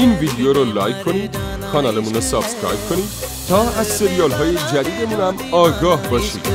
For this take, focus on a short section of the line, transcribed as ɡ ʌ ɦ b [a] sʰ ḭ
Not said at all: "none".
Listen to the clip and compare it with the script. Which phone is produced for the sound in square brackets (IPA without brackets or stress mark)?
ʌ